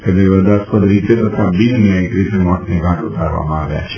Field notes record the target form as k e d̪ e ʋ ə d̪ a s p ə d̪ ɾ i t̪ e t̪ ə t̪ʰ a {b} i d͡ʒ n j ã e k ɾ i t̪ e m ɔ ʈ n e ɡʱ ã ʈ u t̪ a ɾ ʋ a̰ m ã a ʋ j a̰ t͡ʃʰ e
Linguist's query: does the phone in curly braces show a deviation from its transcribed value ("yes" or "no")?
no